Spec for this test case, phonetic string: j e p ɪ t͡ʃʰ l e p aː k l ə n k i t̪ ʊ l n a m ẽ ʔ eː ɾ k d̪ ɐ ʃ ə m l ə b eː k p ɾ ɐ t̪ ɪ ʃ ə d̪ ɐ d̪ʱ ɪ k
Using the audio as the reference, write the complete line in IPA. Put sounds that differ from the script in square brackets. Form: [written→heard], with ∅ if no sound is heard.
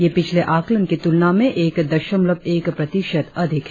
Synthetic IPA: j e p ɪ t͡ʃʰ l e [p→ʔ] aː k l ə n k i t̪ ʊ l n a m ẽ ʔ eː [ɾ→∅] k d̪ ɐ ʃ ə m l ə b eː k p ɾ ɐ t̪ ɪ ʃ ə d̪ ɐ d̪ʱ ɪ k